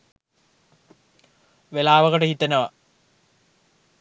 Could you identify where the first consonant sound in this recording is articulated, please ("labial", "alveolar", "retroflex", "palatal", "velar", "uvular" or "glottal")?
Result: labial